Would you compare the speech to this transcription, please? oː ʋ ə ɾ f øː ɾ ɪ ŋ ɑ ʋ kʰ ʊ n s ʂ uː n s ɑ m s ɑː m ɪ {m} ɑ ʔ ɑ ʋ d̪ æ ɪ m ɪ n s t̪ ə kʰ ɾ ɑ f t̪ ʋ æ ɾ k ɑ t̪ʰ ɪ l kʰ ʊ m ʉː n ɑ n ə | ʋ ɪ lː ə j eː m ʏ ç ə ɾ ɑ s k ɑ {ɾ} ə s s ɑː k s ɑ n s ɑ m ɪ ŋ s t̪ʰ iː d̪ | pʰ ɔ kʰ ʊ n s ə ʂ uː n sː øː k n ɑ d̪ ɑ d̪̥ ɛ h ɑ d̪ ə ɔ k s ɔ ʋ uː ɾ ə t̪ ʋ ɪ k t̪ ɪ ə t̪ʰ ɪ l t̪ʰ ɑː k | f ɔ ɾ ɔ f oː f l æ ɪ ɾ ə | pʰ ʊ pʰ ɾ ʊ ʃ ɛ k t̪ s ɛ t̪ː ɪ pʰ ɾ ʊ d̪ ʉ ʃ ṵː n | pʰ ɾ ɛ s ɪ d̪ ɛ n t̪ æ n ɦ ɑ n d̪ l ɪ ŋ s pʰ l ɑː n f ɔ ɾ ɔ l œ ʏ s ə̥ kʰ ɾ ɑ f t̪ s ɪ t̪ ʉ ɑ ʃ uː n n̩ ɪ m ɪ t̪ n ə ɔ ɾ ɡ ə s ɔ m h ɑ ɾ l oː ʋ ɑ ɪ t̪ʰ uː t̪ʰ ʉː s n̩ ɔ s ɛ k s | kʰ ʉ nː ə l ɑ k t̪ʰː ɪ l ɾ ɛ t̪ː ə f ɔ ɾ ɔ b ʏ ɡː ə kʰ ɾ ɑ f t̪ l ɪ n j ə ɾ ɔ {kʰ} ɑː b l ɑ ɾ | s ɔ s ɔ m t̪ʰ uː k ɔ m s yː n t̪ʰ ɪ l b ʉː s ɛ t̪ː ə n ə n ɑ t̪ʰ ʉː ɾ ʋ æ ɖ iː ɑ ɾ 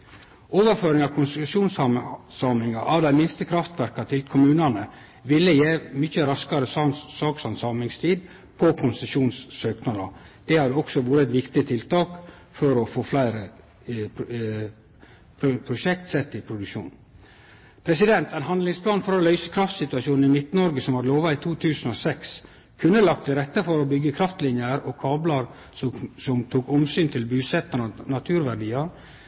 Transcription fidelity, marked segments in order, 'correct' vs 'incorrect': incorrect: ŋ, correct, correct

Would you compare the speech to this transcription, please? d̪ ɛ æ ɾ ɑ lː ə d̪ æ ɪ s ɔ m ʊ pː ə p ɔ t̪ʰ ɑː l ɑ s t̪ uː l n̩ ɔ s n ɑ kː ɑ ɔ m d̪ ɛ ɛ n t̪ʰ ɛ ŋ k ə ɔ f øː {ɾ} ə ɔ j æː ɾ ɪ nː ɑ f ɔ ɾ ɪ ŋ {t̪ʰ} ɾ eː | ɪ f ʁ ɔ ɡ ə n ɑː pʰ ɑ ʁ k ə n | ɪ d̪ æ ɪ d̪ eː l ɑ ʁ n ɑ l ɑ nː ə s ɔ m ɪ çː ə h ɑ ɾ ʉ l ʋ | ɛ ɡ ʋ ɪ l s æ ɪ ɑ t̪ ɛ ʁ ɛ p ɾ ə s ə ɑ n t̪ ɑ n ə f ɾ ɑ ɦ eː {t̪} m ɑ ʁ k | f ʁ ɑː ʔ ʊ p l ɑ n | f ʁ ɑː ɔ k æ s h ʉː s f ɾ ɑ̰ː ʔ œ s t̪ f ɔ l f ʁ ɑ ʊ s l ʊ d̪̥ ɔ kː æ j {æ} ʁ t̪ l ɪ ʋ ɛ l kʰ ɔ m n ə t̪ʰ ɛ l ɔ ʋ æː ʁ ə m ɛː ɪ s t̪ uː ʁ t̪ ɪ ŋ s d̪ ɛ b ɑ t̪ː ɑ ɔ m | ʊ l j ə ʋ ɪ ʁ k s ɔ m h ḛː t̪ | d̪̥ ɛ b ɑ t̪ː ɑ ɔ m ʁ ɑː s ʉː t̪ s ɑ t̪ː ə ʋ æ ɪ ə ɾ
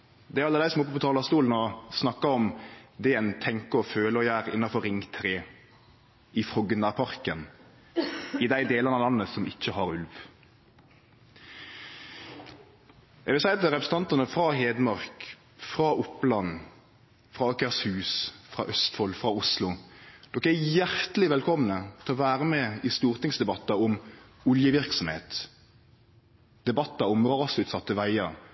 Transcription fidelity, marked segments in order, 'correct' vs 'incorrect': incorrect: l, correct, incorrect: d̪, correct

